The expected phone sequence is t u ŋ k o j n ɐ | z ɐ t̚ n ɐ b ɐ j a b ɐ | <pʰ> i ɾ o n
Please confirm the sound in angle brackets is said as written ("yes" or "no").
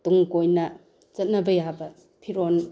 yes